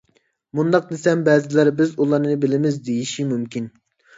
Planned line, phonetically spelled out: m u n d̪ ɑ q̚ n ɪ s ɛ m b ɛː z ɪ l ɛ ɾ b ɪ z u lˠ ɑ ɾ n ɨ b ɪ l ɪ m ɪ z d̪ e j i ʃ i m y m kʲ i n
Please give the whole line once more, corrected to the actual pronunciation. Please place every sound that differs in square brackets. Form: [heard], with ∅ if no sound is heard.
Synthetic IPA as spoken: m u n d̪ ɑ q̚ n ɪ s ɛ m b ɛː z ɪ l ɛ ɾ b ɪ z u lˠ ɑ ɾ n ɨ b ɪ l ɪ m ɪ z d̪ e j i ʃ i m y m kʲ i n